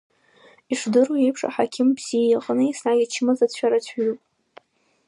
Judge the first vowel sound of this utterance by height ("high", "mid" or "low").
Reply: high